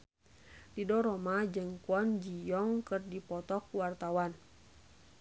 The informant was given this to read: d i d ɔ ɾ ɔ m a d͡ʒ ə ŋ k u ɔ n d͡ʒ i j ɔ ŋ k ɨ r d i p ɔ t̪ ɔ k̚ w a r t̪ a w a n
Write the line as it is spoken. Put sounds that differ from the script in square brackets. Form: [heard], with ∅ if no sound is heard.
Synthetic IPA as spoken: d i d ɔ ɾ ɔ m a d͡ʒ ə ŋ k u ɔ n d͡ʒ i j ɔ ŋ k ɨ r d i p ɔ t̪ ɔ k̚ w a r t̪ a w a n